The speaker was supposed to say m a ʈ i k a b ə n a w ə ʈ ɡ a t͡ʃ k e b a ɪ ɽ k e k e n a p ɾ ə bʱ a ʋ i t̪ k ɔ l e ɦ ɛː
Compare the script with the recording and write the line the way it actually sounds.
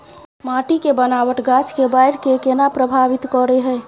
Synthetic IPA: m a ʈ i k e b ə n a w ə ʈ ɡ a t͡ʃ k e b a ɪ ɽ k e k e n a p ɾ ə bʱ a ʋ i t̪ k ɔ ɾ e ɦ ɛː